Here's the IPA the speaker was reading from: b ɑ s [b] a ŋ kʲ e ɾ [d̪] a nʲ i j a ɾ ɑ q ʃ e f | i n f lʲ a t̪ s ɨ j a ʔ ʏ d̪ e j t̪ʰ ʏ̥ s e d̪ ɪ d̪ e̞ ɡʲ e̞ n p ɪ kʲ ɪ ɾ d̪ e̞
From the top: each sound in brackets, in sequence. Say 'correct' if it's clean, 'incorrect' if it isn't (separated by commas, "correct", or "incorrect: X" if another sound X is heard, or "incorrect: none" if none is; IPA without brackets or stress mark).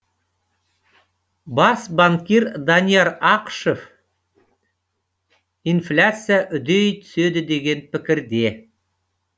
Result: correct, correct